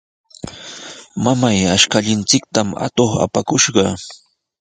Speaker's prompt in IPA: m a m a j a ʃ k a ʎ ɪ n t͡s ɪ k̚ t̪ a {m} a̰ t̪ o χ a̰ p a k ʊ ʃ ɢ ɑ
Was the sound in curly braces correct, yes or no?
yes